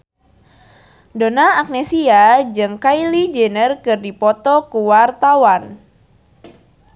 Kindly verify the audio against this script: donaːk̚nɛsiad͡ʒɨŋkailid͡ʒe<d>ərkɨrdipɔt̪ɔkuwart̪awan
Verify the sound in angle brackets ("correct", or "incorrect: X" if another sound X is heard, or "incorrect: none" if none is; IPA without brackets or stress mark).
incorrect: n